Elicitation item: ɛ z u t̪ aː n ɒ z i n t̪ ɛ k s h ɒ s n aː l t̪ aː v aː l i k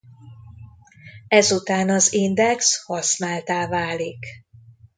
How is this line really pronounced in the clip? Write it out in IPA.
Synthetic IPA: ɛ z u t̪ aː n ɒ z i n d̪ ɛ k s h ɒ s n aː l t̪ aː v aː l i k